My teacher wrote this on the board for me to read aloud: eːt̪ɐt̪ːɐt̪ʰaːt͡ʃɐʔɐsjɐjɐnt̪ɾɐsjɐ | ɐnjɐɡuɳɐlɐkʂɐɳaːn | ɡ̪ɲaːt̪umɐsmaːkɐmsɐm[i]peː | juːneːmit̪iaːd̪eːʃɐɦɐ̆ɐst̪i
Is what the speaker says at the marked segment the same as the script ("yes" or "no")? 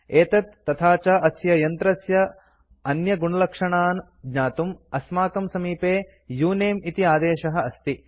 no